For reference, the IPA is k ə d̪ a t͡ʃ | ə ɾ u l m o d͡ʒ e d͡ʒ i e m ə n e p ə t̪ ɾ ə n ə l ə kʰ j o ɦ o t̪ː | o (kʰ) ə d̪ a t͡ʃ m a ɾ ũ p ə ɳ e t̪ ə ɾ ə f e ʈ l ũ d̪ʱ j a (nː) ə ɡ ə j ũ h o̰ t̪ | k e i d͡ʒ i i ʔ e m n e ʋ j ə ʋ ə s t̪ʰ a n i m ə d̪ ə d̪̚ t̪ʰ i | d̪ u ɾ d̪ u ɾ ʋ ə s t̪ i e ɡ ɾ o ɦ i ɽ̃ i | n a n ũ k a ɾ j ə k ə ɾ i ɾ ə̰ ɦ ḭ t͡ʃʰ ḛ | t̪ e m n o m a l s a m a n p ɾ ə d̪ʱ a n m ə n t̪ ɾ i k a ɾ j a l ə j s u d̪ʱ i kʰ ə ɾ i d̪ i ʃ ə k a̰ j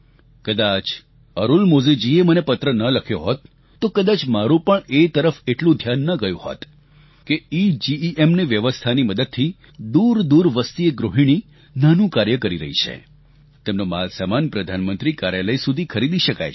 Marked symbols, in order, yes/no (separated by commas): no, yes